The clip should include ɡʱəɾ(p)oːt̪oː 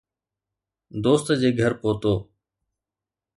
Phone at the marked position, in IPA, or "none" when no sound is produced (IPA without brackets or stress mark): p